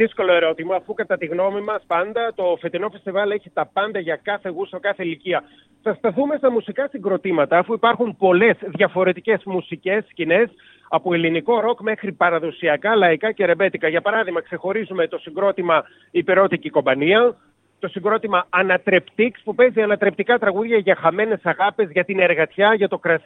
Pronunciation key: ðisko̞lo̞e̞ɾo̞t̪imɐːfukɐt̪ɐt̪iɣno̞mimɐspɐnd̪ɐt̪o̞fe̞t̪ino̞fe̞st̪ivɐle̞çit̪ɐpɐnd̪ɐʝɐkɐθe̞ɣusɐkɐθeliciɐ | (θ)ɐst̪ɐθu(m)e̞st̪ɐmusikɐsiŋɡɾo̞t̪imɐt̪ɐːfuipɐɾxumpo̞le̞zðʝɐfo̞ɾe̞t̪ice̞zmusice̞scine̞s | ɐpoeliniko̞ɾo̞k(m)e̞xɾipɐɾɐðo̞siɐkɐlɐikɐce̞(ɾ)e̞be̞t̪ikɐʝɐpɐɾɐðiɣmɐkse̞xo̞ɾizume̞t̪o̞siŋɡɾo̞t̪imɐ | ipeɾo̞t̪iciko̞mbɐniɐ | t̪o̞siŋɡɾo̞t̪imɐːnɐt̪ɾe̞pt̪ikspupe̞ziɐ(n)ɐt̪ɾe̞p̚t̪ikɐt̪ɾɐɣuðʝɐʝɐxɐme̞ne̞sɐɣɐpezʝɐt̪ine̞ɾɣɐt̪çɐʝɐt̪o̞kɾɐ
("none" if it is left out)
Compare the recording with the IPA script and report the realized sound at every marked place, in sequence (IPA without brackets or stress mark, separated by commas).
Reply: θ, m, m, ɾ, n